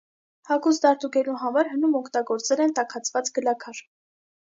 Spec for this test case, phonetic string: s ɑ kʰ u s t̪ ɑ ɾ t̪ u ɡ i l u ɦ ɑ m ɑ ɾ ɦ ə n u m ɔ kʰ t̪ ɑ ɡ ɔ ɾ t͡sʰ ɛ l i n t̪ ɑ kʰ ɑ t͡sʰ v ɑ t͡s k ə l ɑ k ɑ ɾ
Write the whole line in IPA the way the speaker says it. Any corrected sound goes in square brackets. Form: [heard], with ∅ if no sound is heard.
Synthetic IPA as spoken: [h] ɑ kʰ u s [d̪] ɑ ɾ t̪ u ɡ [ɛ] l u ɦ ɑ m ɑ ɾ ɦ ə n u m ɔ kʰ t̪ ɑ ɡ ɔ ɾ [t͡s] ɛ l [ɛ] n t̪ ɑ kʰ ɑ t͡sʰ v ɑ t͡s [ɡ] ə l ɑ [kʰ] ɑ ɾ